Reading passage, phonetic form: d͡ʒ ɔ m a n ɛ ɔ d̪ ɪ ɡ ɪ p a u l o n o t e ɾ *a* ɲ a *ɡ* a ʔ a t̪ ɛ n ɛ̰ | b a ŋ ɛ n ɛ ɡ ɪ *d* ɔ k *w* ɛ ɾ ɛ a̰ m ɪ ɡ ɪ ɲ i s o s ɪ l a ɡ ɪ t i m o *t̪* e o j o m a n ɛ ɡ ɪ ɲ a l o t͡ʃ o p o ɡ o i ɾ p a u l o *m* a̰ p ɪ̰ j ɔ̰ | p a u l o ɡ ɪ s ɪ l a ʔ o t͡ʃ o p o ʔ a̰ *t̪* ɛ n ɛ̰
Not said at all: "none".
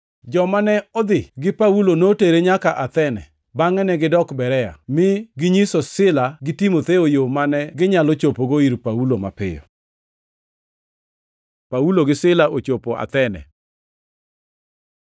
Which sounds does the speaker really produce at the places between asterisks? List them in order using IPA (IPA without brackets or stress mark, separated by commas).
e, k, d, b, t̪, m, t̪